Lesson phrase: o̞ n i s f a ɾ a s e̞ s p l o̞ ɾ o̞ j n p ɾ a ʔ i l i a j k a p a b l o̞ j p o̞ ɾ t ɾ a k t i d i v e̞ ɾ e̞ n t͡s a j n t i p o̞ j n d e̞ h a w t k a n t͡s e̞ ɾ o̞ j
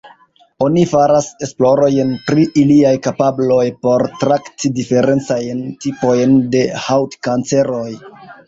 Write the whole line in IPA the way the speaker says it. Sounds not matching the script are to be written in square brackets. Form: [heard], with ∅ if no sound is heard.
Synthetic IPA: o̞ n i [∅] f a ɾ a s e̞ s p l o̞ ɾ o̞ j n p ɾ [i] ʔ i l i a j k a p a b l o̞ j p o̞ ɾ t ɾ a k t i d i [f] e̞ ɾ e̞ n t͡s a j n t i p o̞ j n d e̞ h a w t k a n t͡s e̞ ɾ o̞ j